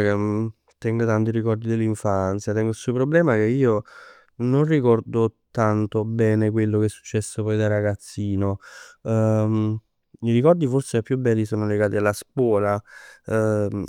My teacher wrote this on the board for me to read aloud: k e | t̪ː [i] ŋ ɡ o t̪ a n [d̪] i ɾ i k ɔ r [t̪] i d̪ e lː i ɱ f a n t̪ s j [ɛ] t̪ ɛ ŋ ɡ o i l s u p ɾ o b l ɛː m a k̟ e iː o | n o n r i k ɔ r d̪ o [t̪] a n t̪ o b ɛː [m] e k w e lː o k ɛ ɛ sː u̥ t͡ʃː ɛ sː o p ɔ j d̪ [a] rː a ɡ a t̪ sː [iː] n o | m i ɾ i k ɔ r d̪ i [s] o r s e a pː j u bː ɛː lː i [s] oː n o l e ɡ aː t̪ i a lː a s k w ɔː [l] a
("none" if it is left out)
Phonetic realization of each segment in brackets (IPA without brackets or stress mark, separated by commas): ɛ, t̪, d̪, a, t̪, n, a, iː, f, s, l